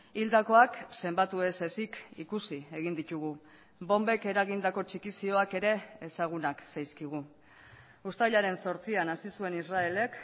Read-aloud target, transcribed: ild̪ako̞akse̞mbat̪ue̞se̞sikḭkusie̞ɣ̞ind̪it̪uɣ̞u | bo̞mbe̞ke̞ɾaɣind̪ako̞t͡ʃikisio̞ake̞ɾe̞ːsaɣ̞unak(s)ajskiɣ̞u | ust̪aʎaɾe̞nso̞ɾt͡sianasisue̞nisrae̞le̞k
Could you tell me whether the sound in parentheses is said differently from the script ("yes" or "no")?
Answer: no